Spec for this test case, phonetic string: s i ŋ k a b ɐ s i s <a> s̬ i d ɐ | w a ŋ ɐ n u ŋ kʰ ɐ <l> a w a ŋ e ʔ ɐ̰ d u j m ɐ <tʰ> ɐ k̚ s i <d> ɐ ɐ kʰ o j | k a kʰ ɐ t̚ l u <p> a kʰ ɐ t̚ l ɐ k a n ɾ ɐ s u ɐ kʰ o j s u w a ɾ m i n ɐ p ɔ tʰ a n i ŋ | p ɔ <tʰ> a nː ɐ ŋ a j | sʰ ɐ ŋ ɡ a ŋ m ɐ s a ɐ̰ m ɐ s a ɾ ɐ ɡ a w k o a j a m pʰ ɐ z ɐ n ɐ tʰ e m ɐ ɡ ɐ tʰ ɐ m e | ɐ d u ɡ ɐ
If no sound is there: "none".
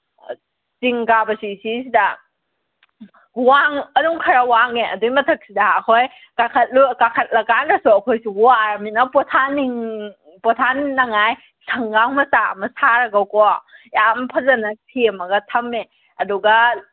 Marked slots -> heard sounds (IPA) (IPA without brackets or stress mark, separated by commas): i, ɾ, tʰ, d, k, tʰ